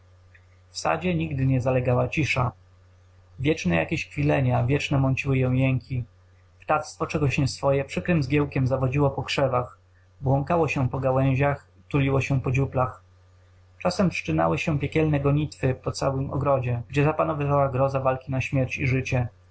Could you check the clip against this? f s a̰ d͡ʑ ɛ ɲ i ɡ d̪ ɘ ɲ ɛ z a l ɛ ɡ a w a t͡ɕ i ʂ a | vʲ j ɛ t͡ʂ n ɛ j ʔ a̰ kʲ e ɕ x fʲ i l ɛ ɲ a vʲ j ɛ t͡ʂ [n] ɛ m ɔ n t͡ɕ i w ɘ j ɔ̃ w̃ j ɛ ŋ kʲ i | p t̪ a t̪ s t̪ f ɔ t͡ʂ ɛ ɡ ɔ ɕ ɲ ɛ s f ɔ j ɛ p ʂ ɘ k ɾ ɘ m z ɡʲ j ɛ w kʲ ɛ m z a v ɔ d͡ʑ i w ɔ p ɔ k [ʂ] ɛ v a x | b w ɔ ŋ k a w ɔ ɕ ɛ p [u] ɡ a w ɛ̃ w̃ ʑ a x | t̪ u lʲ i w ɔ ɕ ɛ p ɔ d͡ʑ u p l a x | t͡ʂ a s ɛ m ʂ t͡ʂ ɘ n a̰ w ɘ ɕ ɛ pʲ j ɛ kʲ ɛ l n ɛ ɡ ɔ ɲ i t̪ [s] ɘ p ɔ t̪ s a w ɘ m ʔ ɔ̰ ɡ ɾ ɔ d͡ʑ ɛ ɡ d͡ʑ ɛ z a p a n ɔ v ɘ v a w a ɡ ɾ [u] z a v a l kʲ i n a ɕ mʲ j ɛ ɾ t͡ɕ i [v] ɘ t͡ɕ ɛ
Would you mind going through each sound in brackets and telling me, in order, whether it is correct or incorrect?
correct, correct, incorrect: ɔ, incorrect: f, incorrect: ɔ, incorrect: ʐ

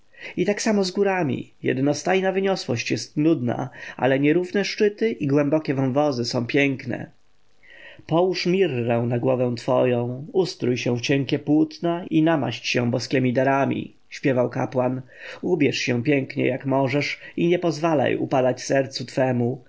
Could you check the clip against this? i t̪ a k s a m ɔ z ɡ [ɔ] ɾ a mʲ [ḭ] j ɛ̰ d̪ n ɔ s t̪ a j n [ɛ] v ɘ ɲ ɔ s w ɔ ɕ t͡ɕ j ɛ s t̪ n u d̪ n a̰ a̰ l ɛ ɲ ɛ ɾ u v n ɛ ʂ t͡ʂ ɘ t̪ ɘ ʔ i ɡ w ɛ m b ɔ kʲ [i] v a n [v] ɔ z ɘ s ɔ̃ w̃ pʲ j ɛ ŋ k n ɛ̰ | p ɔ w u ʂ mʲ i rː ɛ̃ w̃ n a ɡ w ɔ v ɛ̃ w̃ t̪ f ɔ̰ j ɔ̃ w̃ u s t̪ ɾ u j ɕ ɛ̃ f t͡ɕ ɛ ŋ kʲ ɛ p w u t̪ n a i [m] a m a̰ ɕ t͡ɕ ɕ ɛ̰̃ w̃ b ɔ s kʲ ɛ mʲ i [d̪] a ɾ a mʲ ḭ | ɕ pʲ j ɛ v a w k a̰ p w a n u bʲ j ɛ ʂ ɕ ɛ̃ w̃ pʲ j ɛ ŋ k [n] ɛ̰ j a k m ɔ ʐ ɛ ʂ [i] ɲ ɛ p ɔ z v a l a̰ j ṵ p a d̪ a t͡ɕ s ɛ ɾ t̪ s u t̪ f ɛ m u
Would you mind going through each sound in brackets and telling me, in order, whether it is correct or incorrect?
incorrect: u, correct, incorrect: a, incorrect: ɛ, correct, incorrect: n, correct, incorrect: ɲ, correct

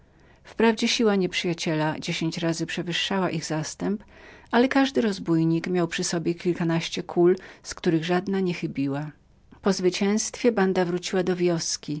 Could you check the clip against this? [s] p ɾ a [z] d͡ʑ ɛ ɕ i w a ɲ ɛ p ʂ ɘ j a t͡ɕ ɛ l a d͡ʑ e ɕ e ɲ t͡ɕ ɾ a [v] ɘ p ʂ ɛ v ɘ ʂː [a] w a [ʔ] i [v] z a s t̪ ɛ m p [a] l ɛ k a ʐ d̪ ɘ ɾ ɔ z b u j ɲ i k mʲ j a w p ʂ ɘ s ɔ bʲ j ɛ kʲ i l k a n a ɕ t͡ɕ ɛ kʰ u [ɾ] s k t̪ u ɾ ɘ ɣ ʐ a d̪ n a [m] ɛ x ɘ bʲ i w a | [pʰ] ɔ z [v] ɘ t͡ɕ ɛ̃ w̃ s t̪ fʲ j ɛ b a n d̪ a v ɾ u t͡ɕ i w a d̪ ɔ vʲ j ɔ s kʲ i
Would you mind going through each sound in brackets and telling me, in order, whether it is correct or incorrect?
incorrect: f, incorrect: v, incorrect: z, correct, correct, incorrect: ɣ, correct, incorrect: l, incorrect: ɲ, incorrect: p, correct

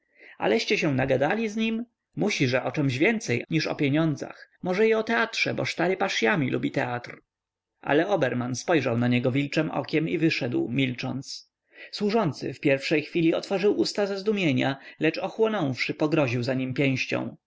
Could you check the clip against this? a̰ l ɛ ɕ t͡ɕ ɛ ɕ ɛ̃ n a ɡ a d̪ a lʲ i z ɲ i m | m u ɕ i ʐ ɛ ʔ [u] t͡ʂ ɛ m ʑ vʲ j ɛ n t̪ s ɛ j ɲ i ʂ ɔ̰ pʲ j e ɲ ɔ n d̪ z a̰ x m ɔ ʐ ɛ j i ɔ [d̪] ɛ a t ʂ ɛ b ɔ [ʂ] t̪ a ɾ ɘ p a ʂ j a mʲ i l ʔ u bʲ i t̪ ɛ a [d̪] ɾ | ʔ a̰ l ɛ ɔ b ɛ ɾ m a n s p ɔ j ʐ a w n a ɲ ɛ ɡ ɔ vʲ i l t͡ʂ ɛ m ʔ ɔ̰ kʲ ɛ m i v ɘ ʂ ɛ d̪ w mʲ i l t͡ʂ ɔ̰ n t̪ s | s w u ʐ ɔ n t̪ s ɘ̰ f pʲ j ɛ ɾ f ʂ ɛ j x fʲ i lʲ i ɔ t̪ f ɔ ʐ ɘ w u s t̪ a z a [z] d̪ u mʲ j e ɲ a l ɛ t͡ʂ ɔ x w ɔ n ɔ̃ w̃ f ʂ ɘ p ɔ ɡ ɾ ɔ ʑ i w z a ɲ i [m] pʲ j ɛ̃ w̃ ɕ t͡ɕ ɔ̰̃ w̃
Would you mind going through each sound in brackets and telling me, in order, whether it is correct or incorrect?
incorrect: ɔ, incorrect: t̪, correct, incorrect: t̪, correct, correct

